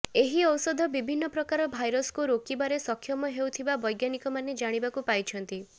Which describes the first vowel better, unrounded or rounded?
unrounded